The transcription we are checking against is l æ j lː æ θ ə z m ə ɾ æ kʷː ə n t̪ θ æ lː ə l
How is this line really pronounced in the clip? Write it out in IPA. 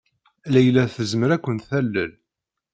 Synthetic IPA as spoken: l æ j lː æ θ ə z m ə ɾ æ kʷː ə n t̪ θ æ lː ə l